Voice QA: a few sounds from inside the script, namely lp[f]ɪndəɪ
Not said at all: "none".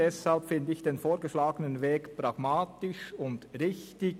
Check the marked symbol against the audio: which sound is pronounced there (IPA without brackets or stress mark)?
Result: f